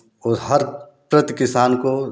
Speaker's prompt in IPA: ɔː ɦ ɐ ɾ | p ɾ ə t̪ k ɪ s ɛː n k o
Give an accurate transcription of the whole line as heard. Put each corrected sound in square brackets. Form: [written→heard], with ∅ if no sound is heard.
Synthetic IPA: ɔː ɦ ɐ ɾ | p ɾ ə t̪ k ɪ s [ɛː→aː] n k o